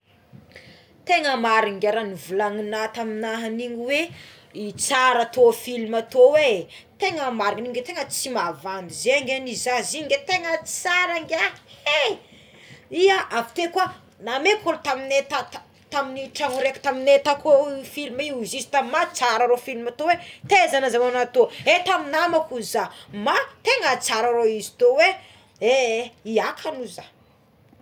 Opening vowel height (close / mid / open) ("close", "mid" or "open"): mid